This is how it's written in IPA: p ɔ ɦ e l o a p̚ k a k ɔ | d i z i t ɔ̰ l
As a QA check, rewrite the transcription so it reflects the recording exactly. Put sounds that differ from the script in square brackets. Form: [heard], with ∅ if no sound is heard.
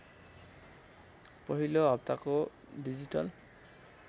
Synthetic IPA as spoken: p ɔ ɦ [i] l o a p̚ [t] a k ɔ | d i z i t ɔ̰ l